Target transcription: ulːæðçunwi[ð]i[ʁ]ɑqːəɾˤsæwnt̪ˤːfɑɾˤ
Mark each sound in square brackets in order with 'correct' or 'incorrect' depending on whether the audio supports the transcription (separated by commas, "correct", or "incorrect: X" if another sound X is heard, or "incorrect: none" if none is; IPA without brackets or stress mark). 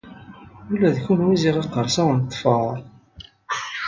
incorrect: z, correct